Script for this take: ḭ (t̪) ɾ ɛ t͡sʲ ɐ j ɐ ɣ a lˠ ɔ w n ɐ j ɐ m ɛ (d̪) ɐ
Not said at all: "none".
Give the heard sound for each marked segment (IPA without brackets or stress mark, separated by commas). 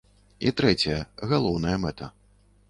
t̪, t̪